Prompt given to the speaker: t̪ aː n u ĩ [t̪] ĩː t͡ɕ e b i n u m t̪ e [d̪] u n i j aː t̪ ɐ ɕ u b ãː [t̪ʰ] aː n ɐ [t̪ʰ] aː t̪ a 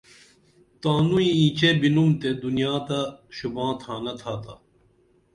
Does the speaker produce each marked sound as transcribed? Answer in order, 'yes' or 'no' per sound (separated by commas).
no, yes, yes, yes